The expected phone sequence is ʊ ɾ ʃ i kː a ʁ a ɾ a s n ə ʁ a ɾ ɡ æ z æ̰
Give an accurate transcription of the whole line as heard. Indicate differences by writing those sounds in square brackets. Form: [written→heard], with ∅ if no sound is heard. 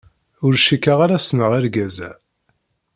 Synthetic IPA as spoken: ʊ ɾ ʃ i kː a ʁ a ɾ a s n ə ʁ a ɾ ɡ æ z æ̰